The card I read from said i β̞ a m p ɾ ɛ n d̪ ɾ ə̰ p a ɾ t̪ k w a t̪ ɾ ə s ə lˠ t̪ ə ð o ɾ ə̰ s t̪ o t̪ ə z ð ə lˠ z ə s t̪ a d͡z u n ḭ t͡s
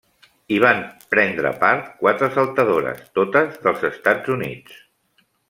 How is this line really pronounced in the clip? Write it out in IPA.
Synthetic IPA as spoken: i β̞ a m p ɾ ɛ n d̪ ɾ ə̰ p a ɾ t̪ k w a t̪ ɾ ə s ə lˠ t̪ ə ð o ɾ ə̰ s t̪ o t̪ ə z ð ə lˠ z ə s t̪ a d͡z u n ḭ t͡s

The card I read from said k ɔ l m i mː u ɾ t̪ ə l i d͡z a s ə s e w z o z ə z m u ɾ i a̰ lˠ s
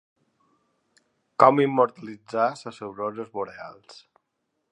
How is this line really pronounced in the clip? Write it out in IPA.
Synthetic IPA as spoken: k ɔ m i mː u ɾ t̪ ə l i d͡z a s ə s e w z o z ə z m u ɾ e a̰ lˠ s

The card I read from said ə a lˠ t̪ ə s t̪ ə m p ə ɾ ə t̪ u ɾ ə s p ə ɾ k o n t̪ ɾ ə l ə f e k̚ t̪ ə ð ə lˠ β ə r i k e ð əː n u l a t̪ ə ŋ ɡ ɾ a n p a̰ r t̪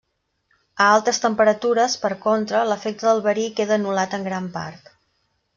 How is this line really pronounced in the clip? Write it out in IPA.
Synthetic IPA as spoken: ə a lˠ t̪ ə s t̪ ə m p ə ɾ ə t̪ u ɾ ə s p ə ɾ k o n t̪ ɾ ə l ə f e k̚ t̪ ə ð ə lˠ β ə ɾ i k e ð əː n u l a t̪ ə ŋ ɡ ɾ a m p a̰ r t̪

